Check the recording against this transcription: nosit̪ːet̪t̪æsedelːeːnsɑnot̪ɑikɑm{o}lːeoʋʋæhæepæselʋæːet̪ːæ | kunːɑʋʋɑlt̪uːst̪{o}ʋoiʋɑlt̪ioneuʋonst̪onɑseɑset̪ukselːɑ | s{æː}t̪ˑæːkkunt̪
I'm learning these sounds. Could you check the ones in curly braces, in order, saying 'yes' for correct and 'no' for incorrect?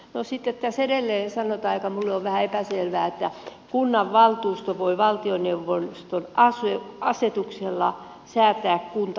no, yes, yes

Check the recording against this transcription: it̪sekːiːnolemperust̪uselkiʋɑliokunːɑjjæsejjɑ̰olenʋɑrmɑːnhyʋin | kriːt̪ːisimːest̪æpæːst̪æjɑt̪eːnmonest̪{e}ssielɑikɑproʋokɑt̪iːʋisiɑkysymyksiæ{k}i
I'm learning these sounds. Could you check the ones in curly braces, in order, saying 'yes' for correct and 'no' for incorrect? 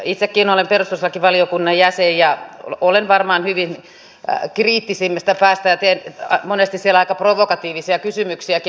no, yes

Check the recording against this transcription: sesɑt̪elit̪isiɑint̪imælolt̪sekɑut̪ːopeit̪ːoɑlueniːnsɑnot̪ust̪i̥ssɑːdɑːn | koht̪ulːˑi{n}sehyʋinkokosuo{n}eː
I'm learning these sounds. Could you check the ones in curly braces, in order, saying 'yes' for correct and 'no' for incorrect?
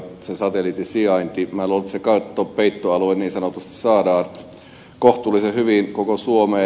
no, no

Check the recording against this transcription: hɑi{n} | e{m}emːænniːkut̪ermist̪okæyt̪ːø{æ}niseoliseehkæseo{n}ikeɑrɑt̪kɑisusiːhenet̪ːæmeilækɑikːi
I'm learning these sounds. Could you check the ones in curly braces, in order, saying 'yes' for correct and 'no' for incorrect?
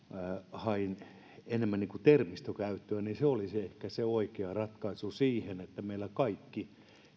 yes, no, yes, no

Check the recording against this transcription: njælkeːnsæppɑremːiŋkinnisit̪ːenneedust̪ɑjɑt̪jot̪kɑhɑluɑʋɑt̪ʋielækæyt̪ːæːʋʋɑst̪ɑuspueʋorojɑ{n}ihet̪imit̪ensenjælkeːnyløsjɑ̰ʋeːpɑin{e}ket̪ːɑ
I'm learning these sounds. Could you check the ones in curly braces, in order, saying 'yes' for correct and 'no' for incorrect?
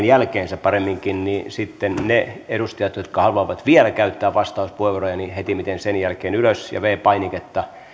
yes, no

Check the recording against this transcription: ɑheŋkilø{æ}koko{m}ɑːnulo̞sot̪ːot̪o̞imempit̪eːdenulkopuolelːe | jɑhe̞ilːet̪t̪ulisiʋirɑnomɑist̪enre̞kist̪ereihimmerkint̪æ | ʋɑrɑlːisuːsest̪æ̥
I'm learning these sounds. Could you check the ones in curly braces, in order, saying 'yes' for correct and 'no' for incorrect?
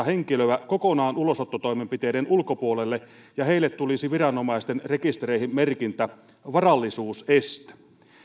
yes, no

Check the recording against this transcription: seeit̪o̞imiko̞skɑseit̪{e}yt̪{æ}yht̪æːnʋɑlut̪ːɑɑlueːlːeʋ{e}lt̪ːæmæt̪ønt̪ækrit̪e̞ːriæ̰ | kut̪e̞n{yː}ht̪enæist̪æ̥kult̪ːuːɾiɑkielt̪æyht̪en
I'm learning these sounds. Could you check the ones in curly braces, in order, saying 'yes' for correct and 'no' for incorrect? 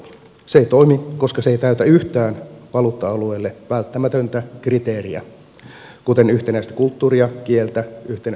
no, yes, no, no

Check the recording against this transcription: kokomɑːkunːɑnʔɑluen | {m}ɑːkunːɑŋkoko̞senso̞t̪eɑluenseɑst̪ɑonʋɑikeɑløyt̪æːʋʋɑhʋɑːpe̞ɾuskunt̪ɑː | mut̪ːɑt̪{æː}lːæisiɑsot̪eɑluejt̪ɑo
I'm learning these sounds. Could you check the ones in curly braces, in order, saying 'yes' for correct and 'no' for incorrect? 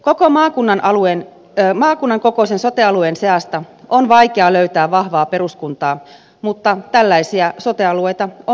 yes, no

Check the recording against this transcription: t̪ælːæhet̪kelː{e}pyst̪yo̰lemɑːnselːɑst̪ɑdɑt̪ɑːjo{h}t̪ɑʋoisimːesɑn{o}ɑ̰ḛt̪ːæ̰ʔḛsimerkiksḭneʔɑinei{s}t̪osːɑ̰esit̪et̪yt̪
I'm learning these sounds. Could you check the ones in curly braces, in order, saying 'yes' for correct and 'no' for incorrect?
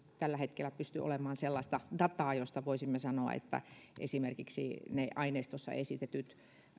no, no, yes, yes

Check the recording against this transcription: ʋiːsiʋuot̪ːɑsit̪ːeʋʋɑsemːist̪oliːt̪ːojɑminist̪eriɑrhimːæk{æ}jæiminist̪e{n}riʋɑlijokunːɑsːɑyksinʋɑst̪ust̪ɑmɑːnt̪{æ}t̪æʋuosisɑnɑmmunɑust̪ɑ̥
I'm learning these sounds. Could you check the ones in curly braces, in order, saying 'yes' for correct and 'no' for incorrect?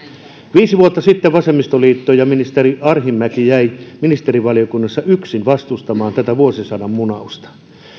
no, no, yes

